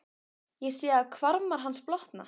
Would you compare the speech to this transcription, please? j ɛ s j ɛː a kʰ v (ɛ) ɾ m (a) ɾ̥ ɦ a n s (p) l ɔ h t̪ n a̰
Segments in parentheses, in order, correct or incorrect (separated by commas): incorrect, correct, correct